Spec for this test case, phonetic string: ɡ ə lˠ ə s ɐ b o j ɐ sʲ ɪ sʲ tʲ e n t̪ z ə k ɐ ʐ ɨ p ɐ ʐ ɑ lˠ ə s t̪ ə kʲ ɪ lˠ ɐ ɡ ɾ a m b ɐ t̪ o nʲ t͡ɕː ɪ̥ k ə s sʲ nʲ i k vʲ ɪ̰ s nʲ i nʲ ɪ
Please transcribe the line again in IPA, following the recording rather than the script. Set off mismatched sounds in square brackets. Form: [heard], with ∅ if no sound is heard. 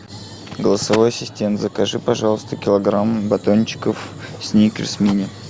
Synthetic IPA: ɡ ə lˠ ə s ɐ [v] o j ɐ sʲ ɪ sʲ tʲ e n t̪ z ə k ɐ ʐ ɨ p ɐ ʐ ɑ lˠ ə s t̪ ə kʲ ɪ lˠ ɐ ɡ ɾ a m b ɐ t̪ o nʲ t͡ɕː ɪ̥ k ə [f] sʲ nʲ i k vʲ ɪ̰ s [mʲ] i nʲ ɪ